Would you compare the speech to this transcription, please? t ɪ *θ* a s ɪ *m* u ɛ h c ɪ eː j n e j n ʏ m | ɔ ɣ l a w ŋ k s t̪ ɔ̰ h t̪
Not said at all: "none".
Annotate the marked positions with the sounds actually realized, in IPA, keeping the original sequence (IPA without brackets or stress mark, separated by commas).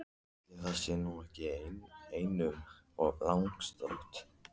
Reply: θ, n